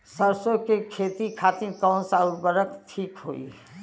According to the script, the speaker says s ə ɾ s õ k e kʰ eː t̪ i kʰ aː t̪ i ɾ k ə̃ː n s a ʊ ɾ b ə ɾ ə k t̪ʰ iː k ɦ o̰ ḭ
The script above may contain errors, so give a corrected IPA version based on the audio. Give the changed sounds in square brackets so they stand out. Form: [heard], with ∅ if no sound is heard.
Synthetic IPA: s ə ɾ s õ k e kʰ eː t̪ i kʰ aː t̪ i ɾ k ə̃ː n s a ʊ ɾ b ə ɾ ə k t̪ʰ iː k ɦ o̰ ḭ

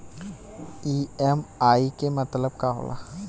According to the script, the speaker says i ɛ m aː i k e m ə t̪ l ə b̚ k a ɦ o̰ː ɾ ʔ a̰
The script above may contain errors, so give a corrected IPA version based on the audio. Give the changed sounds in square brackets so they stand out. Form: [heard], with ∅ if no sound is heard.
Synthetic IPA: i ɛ m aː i k e m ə t̪ l ə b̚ k a ɦ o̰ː [l] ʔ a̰

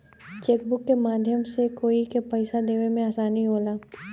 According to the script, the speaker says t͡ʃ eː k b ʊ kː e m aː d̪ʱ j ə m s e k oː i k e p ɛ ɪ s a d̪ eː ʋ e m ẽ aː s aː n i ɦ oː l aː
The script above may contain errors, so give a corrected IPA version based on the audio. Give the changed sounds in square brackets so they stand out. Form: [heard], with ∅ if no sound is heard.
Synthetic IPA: t͡ʃ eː k b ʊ kː e m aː d̪ʱ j ə m s e k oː i k e p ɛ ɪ s a d̪ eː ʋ e m ẽ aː s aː n i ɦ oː l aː

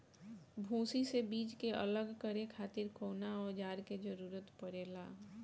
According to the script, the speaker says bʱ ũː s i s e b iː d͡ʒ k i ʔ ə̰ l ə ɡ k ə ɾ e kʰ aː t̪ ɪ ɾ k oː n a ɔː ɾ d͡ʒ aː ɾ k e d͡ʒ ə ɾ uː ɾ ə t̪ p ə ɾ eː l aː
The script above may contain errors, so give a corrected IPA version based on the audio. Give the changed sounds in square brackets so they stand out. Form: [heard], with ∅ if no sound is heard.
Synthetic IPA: bʱ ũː s i s e b iː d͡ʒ k [e] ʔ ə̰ l ə ɡ k ə ɾ e kʰ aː t̪ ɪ ɾ k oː n a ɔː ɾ d͡ʒ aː ɾ k e d͡ʒ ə ɾ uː ɾ ə t̪ p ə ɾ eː l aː

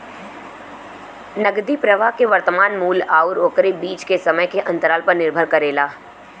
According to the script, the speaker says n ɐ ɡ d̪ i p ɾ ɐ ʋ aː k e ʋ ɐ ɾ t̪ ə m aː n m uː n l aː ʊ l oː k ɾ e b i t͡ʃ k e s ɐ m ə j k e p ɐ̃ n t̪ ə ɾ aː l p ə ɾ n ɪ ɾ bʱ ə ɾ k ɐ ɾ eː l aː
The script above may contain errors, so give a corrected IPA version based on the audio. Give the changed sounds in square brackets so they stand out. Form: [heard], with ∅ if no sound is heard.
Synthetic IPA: n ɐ ɡ d̪ i p ɾ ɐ ʋ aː k e ʋ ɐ ɾ t̪ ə m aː n m uː [∅] l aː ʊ [ɾ] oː k ɾ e b [iː] t͡ʃ k e s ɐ m ə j k e [ʔ] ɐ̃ n t̪ ə ɾ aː l p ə ɾ n ɪ ɾ bʱ ə ɾ k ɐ ɾ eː l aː

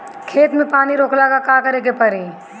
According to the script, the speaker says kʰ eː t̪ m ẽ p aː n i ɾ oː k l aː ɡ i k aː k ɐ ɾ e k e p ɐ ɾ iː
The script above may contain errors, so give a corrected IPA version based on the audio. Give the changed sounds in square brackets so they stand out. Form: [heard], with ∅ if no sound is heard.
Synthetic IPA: kʰ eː t̪ m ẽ p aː n i ɾ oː k l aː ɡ [a] k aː k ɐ ɾ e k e p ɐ ɾ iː

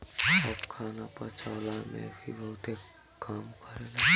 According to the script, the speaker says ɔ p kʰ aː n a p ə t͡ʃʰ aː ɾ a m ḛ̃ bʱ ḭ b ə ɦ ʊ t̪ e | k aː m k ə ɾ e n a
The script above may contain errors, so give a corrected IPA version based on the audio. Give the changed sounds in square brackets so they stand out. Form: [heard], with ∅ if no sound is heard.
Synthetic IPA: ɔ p kʰ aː n a p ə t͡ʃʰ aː [l] a m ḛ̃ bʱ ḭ b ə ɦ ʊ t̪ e | k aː m k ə ɾ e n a

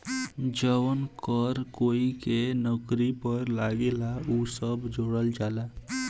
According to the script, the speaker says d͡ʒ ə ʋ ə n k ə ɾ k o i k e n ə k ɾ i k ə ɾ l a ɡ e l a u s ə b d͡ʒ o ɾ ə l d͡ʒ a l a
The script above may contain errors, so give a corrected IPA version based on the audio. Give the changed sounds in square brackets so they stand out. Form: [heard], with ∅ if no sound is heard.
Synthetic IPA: d͡ʒ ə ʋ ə n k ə ɾ k o i k e n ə k ɾ i [p] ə ɾ l a ɡ e l a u s ə b d͡ʒ o [ɽ] ə l d͡ʒ a l a

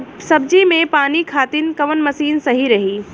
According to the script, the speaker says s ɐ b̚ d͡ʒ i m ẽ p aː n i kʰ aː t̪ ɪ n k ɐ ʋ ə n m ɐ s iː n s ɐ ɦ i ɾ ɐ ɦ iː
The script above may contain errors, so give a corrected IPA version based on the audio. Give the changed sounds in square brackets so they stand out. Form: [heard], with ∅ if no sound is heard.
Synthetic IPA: s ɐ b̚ d͡ʒ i m ẽ p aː n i kʰ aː t̪ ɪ n k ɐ ʋ ə n m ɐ s iː n s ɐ ɦ i ɾ ɐ ɦ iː

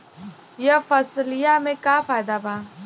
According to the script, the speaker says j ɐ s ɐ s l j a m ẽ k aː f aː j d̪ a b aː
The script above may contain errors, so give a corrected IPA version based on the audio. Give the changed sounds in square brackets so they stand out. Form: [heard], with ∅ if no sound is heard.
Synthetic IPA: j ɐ [f] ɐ s l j a m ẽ k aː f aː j d̪ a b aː

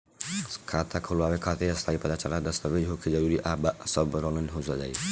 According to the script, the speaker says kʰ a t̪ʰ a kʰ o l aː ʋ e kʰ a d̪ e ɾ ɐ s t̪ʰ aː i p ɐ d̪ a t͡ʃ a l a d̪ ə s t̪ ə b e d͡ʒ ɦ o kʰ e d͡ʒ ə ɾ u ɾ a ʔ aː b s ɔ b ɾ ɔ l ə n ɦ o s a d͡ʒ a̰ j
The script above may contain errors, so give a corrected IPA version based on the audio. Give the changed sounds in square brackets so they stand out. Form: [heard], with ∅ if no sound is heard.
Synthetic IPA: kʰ a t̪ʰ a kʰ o l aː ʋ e kʰ a [t̪] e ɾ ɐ s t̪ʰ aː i p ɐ d̪ a t͡ʃ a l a d̪ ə s t̪ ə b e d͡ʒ ɦ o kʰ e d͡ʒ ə ɾ u ɾ [i] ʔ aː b s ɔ b ɾ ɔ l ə n ɦ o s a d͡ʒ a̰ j

